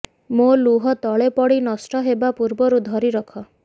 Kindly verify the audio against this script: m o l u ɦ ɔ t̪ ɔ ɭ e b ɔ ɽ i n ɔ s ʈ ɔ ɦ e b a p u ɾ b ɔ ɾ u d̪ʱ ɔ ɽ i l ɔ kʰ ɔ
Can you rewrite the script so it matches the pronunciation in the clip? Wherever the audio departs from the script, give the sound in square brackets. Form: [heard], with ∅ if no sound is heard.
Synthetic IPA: m o l u ɦ ɔ t̪ ɔ ɭ e [p] ɔ ɽ i n ɔ s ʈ ɔ ɦ e b a p u ɾ b ɔ ɾ u d̪ʱ ɔ [ɾ] i [ɾ] ɔ kʰ ɔ

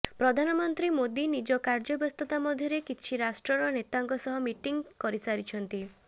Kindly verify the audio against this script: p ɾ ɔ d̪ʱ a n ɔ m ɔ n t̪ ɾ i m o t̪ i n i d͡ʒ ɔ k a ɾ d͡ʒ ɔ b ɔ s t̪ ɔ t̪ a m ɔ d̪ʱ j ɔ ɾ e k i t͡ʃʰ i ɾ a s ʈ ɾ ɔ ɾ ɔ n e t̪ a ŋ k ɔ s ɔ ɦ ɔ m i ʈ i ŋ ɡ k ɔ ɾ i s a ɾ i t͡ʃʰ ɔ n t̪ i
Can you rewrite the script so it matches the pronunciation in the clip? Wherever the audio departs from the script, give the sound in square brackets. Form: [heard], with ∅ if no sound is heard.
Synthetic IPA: p ɾ ɔ d̪ʱ a n ɔ m ɔ n t̪ ɾ i m o [d̪] i n i d͡ʒ ɔ k a ɾ d͡ʒ ɔ b ɔ s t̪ ɔ t̪ a m ɔ d̪ʱ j ɔ ɾ e k i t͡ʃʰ i ɾ a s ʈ ɾ ɔ ɾ ɔ n e t̪ a ŋ k ɔ s ɔ ɦ ɔ m i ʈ i ŋ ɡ k ɔ ɾ i s a ɾ i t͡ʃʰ ɔ n t̪ i

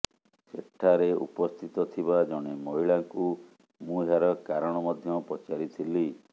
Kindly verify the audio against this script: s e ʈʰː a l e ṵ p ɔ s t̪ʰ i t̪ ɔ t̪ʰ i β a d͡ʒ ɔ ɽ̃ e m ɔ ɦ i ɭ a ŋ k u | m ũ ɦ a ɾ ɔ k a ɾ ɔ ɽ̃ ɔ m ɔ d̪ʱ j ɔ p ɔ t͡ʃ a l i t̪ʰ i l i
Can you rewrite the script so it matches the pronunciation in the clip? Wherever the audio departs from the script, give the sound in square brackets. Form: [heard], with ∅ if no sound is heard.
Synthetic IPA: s e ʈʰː a [ɾ] e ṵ p ɔ s t̪ʰ i t̪ ɔ t̪ʰ i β a d͡ʒ ɔ ɽ̃ e m ɔ ɦ i ɭ a ŋ k u | m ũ ɦ a ɾ ɔ k a ɾ ɔ ɽ̃ ɔ m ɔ d̪ʱ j ɔ p ɔ t͡ʃ a [ɾ] i t̪ʰ i l i

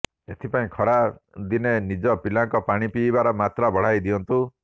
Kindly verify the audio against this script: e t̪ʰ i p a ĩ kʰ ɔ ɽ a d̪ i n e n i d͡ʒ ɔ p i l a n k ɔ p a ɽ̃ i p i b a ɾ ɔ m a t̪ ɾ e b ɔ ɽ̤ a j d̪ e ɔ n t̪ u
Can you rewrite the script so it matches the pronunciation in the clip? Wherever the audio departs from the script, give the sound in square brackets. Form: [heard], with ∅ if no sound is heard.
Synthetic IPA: e t̪ʰ i p a ĩ kʰ ɔ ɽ a d̪ i n e n i d͡ʒ ɔ p i l a [ŋ] k ɔ p a ɽ̃ i p i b a ɾ ɔ m a t̪ ɾ [a] b ɔ ɽ̤ a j d̪ [i] ɔ n t̪ u

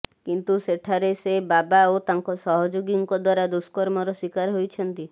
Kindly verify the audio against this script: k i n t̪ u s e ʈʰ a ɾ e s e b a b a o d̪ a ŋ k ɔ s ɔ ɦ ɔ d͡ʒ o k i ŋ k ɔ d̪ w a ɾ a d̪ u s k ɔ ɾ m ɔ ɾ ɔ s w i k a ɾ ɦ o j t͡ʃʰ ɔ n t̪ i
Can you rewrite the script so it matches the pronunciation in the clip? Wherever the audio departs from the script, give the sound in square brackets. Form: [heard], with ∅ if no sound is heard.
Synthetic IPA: k i n t̪ u s e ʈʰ a ɾ e s e b a b a o [t̪] a ŋ k ɔ s ɔ ɦ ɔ d͡ʒ o [ɡ] i ŋ k ɔ d̪ w a ɾ a d̪ u s k ɔ ɾ m ɔ ɾ ɔ s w i k a ɾ ɦ o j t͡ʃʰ ɔ n t̪ i

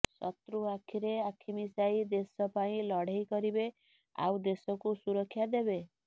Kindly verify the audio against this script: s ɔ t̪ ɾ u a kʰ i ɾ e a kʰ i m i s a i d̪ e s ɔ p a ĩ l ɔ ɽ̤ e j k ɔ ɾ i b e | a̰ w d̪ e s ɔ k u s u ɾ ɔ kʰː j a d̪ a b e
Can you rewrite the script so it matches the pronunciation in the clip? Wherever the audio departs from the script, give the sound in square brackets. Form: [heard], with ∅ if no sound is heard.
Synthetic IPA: s ɔ t̪ ɾ u a kʰ i ɾ e a kʰ i m i s a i d̪ e s ɔ p a ĩ l ɔ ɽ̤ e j k ɔ ɾ i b e | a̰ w d̪ e s ɔ k u s u ɾ ɔ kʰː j a d̪ [e] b e

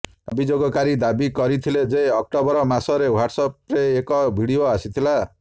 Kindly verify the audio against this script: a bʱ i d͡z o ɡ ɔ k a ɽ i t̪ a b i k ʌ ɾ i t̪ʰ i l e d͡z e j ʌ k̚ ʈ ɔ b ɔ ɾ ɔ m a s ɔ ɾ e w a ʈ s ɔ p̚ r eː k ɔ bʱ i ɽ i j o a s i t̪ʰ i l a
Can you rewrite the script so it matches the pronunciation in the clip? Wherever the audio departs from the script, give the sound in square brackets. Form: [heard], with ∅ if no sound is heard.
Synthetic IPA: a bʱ i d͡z o ɡ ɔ k a [ɾ] i [d̪] a b i k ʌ ɾ i t̪ʰ i l e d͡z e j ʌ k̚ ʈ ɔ b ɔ ɾ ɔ m a s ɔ ɾ e w a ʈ s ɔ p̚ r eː k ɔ bʱ i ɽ i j o a s i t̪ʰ i l a

